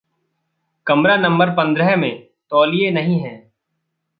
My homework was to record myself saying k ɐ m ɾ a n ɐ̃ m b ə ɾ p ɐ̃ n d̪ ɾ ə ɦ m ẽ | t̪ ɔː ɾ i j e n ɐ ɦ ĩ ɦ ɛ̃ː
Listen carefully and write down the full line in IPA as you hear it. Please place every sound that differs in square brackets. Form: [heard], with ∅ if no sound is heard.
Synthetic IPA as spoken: k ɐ m ɾ a n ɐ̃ m b ə ɾ p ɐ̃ n d̪ ɾ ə ɦ m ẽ | t̪ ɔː [l] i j e n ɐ ɦ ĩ ɦ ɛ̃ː